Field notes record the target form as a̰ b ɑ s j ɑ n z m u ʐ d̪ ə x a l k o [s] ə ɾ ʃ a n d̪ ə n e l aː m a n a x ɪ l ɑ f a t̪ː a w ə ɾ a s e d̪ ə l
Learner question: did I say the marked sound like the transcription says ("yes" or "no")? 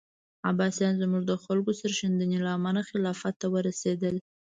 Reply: yes